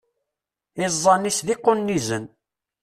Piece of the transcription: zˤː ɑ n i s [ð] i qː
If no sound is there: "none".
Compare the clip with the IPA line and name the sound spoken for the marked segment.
ð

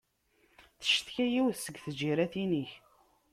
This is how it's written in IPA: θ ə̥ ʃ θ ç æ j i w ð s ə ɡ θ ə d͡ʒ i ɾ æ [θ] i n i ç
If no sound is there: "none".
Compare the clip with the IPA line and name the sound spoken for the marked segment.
θ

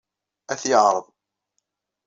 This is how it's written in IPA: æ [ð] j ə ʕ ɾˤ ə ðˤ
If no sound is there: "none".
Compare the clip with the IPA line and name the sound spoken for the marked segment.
θ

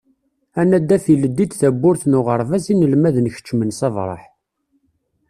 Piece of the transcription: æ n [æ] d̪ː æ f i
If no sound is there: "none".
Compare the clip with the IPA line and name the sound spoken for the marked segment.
æ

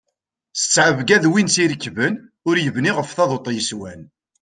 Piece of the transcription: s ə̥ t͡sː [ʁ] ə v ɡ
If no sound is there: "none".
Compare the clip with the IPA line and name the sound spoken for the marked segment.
ʕ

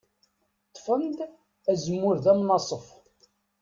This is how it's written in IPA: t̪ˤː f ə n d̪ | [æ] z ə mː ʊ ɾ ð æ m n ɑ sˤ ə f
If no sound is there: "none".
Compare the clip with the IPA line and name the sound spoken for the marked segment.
æ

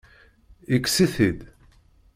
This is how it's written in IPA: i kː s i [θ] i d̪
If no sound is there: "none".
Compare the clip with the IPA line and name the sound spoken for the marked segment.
θ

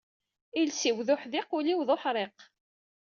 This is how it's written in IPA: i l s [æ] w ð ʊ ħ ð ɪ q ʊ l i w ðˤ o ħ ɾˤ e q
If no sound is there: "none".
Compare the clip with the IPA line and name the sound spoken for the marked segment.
i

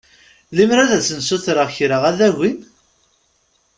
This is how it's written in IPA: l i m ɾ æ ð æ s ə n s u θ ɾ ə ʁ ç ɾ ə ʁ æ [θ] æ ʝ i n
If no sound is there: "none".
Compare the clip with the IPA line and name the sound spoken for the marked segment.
ð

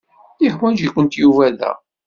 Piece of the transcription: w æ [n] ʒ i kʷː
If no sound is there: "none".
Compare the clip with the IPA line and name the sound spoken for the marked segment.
n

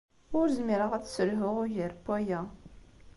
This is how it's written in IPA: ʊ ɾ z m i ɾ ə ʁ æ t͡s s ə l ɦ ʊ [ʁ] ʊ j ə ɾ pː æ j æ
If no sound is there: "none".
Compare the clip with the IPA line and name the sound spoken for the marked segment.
ʁ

